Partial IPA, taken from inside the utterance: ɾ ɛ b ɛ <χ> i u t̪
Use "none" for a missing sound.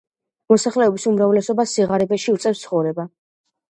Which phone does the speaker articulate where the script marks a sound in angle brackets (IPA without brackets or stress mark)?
ʃ